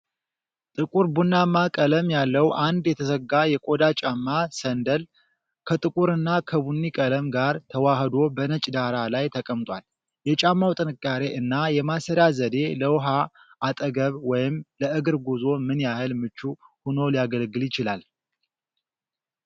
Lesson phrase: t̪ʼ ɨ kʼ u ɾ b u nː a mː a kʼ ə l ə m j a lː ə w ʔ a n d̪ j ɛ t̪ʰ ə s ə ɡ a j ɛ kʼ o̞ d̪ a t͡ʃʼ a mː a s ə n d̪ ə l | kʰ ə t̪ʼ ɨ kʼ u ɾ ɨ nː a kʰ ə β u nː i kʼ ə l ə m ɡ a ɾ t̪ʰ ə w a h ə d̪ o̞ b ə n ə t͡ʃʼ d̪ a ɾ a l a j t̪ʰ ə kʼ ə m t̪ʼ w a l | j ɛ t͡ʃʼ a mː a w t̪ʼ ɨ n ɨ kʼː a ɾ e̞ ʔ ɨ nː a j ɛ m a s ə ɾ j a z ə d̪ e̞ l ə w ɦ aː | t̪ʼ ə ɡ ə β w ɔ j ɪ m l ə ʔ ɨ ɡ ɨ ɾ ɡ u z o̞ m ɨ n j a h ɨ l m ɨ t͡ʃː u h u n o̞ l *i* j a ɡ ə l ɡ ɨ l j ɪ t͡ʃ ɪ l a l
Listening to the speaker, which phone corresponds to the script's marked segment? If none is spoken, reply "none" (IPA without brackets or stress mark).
i